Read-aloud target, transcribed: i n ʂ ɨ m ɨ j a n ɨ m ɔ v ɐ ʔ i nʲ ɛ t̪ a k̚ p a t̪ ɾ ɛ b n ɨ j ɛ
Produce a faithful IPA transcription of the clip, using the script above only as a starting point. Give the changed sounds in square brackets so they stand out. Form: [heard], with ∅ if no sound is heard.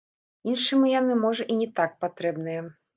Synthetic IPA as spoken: i n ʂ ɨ m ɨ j a n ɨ m ɔ [ʐ] ɐ ʔ i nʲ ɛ t̪ a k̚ p a t̪ ɾ ɛ b n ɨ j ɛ